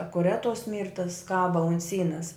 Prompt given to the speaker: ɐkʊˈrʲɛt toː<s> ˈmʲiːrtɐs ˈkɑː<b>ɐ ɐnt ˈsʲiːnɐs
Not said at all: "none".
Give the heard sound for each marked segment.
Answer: s, b

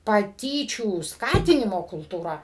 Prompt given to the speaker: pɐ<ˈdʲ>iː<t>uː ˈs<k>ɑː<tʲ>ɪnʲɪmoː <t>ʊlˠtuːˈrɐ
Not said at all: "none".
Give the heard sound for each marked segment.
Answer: tʲ, t͡ʃʲ, k, tʲ, k

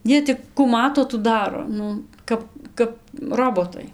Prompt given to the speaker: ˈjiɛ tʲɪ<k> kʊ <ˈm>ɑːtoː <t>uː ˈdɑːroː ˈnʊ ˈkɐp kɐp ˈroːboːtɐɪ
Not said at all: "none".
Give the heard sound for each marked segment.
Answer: k, m, t

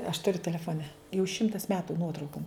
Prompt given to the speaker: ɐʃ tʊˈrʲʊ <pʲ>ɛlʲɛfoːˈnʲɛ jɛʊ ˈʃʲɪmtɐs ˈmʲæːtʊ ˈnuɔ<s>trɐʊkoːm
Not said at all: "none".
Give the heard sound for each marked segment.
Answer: tʲ, none

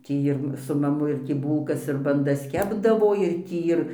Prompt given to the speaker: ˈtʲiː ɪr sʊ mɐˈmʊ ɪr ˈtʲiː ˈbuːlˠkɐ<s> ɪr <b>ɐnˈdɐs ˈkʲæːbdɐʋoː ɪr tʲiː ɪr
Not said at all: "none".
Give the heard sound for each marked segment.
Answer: s, b

